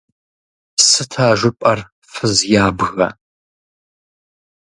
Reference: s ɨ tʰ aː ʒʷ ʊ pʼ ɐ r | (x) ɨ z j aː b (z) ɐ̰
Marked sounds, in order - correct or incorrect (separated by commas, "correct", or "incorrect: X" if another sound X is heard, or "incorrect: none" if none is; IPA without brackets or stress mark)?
incorrect: f, incorrect: ɣ